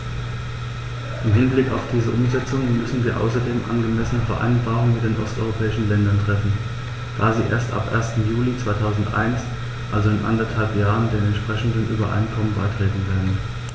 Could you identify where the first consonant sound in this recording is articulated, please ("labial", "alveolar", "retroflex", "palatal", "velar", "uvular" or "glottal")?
glottal